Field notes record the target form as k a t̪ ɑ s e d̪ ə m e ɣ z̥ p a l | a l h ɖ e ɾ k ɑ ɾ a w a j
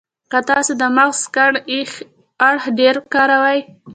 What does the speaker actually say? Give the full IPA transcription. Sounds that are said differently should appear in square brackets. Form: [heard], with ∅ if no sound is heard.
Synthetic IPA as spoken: k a t̪ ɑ s e d̪ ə m [a] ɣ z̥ [k] a [ɽ] | a [ɽ] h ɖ e ɾ k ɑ ɾ a w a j